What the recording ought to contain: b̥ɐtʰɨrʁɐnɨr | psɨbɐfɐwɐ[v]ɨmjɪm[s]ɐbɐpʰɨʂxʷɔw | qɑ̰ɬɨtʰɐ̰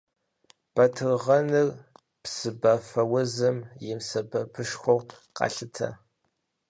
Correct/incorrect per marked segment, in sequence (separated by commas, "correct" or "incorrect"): incorrect, correct